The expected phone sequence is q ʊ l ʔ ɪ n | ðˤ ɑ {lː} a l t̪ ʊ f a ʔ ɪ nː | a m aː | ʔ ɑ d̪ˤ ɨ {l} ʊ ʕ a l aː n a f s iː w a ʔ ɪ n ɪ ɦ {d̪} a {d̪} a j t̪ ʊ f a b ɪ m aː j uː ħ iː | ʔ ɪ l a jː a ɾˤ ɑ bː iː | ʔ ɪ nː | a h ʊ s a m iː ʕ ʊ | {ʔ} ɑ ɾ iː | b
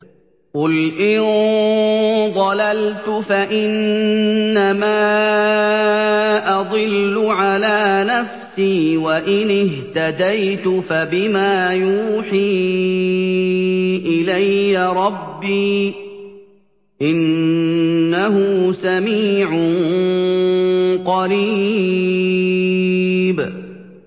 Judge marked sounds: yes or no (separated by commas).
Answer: no, no, no, yes, no